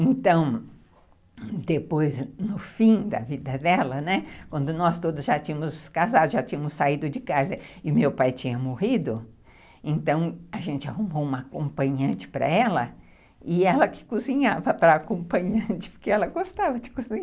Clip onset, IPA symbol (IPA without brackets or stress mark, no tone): ẽ